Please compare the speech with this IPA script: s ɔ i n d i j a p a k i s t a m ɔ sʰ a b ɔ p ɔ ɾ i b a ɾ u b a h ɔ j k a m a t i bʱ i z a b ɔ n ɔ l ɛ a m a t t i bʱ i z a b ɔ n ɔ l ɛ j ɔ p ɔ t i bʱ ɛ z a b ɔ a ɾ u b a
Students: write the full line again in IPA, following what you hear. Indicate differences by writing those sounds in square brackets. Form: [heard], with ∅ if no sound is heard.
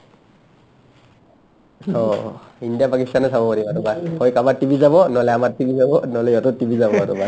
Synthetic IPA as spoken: s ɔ i n d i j a p a k i s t a [n] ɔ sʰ a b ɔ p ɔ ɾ i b a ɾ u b a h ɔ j k a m a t i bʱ i z a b ɔ n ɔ l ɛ a m a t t i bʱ i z a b ɔ n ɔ l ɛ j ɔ [t] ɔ t i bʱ [i] z a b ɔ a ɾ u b a